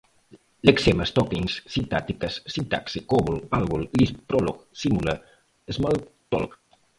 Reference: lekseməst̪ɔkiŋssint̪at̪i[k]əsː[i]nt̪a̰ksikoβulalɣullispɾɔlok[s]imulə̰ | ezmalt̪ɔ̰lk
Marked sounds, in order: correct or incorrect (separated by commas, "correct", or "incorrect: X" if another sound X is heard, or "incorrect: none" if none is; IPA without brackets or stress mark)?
correct, correct, correct